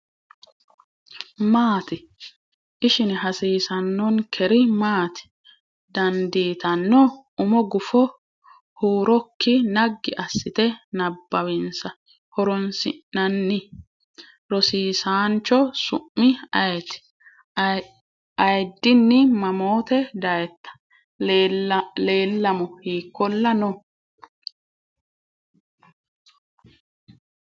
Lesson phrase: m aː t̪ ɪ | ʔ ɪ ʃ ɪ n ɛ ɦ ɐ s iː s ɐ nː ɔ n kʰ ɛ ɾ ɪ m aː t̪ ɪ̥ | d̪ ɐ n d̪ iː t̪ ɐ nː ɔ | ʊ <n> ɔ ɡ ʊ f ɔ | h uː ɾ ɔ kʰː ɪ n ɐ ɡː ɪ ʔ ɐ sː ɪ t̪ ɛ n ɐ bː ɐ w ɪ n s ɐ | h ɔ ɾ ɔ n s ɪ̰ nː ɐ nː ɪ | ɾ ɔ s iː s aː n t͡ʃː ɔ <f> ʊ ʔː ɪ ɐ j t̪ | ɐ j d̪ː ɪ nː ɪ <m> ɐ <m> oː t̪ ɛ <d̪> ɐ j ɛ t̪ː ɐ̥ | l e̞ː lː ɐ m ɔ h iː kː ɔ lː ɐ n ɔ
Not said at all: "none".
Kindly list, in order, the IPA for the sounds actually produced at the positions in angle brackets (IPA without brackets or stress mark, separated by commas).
m, s, m, m, d̪